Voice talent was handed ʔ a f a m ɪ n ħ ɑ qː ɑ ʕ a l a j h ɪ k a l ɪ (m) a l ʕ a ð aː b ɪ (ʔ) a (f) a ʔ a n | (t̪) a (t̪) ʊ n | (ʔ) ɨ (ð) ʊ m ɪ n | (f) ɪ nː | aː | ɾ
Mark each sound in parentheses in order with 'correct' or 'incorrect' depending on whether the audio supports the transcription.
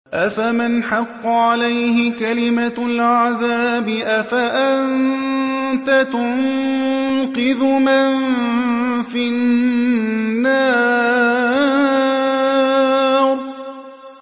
correct, correct, correct, correct, correct, incorrect: q, correct, correct

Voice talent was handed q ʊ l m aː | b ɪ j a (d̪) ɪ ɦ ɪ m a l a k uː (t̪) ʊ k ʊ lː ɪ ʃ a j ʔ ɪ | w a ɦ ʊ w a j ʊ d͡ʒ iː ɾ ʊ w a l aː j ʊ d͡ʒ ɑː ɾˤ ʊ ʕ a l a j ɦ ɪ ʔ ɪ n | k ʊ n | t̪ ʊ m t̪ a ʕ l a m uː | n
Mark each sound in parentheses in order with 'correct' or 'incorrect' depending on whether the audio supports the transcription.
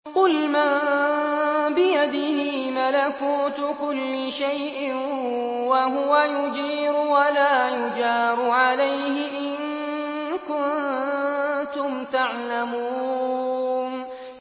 correct, correct

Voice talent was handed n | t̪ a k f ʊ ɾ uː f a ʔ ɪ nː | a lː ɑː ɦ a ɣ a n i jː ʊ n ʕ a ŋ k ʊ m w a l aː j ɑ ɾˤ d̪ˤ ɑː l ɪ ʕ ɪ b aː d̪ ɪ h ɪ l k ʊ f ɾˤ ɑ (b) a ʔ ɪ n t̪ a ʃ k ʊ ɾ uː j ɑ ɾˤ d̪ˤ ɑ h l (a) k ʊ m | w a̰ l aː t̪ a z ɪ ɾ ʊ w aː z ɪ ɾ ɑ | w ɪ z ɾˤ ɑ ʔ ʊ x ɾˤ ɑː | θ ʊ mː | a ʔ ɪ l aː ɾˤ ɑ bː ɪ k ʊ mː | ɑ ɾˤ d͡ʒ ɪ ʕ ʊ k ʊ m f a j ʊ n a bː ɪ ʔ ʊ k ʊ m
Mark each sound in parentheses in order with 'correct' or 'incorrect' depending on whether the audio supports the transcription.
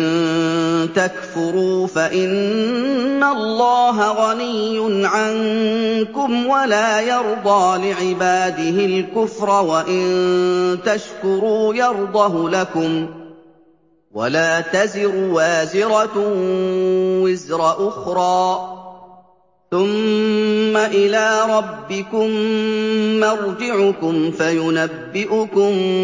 incorrect: w, correct

